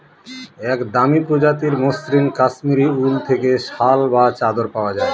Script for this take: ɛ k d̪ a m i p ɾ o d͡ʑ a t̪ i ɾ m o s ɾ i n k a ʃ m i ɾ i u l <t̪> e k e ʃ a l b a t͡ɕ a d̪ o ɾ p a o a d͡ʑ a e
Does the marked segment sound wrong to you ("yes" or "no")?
yes